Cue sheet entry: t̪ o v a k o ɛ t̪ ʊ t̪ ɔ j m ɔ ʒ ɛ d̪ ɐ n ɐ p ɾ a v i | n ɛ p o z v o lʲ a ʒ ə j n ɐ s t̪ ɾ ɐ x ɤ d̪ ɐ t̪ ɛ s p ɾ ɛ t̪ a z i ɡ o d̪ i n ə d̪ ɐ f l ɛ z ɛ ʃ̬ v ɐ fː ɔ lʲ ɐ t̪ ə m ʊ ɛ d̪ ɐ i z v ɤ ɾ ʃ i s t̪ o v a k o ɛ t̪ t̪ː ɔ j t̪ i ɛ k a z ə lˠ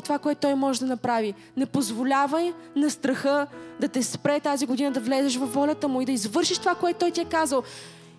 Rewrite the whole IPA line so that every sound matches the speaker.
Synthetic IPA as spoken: t̪ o v a k o ɛ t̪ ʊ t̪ ɔ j m ɔ ʒ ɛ d̪ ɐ n ɐ p ɾ a v i | n ɛ p o z v o lʲ a v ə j n ɐ s t̪ ɾ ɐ x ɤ d̪ ɐ t̪ ɛ s p ɾ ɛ t̪ a z i ɡ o d̪ i n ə d̪ ɐ v l ɛ z ɛ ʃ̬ v ɐ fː ɔ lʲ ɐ t̪ ə m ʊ i d̪ ɐ i z v ɤ ɾ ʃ i ʃ t̪ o v a k o ɛ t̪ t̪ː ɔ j t̪ i ɛ k a z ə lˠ